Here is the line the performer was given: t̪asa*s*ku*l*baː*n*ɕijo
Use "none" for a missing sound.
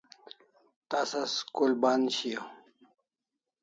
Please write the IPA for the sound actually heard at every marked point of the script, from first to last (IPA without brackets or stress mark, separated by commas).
s, l, n